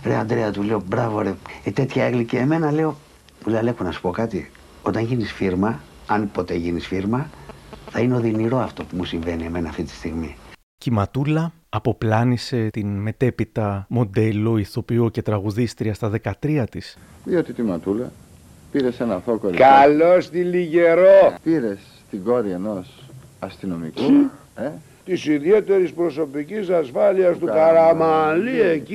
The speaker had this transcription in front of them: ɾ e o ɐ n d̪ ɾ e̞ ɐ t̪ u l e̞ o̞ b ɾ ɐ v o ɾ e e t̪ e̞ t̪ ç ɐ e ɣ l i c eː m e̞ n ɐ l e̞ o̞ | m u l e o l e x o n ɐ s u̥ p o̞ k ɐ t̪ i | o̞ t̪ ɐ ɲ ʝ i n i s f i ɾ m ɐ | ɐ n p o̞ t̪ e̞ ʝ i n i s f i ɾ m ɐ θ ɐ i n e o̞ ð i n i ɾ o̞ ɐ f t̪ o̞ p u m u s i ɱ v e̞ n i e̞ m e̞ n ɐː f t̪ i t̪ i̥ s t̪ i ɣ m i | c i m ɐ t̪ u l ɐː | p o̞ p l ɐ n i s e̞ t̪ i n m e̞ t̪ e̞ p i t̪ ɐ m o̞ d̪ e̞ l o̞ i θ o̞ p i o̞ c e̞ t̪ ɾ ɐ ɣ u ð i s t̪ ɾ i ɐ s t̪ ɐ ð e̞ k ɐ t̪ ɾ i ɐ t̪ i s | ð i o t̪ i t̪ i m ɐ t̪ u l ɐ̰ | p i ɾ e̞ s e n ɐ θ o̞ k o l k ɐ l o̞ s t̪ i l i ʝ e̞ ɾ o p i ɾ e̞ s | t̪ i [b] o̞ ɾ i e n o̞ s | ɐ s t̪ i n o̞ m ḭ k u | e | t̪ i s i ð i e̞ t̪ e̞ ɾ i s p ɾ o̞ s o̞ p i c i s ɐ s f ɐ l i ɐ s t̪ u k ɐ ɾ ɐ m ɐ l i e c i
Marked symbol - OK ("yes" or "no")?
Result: no